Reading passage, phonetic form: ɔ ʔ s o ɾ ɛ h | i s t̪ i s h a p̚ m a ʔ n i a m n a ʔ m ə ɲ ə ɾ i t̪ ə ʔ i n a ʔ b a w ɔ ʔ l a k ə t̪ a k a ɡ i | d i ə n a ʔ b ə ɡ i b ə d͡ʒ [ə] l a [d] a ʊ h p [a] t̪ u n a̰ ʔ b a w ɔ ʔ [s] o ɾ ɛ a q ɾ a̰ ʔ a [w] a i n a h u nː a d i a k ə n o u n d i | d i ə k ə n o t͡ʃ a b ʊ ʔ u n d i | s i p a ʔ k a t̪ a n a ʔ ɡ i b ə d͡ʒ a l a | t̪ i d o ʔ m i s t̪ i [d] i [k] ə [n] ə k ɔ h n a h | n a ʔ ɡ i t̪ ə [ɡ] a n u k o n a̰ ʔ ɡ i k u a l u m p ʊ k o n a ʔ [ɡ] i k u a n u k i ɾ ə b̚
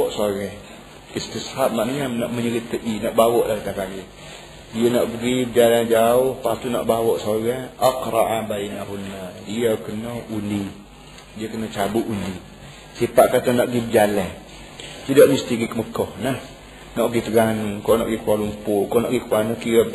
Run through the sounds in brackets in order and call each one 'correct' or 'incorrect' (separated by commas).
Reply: incorrect, incorrect, correct, correct, incorrect, incorrect, correct, incorrect, correct, correct